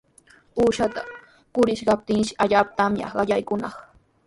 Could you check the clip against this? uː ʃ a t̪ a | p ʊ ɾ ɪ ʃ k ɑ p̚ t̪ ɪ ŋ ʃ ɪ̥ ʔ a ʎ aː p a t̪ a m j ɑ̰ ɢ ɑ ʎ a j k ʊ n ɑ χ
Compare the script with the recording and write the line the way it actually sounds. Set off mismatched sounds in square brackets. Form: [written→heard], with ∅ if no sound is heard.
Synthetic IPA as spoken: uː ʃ a t̪ a | [p→k] ʊ ɾ ɪ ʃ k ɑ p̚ t̪ ɪ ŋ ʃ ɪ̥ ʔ a ʎ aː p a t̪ a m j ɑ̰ ɢ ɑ ʎ a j k ʊ n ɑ χ